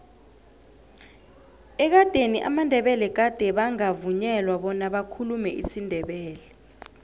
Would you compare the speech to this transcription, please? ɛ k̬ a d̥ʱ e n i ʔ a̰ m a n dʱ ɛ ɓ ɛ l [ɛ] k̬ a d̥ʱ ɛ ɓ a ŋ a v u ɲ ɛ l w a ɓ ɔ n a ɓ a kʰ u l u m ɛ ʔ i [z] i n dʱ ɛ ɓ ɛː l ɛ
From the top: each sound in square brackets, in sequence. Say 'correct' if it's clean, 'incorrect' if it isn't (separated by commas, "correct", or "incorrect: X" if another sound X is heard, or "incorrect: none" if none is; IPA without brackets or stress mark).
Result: correct, incorrect: s